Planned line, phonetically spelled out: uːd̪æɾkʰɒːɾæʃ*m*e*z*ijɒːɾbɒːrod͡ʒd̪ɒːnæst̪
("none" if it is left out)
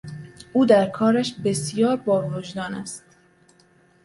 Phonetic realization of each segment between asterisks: b, s

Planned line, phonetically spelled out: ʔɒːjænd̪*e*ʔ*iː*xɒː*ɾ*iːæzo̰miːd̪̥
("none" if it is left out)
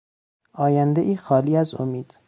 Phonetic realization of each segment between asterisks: e, iː, l

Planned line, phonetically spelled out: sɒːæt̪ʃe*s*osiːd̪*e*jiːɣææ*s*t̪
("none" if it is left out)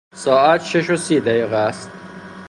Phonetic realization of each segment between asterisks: ʃ, æ, s

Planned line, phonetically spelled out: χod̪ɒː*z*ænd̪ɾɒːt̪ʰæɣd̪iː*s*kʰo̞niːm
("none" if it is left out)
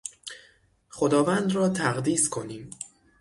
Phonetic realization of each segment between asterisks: v, s

